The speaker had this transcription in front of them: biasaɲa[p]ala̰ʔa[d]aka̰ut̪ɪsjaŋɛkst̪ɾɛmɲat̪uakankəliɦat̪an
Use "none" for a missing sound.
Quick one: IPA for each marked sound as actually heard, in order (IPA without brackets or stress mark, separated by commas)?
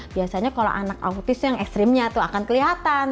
k, n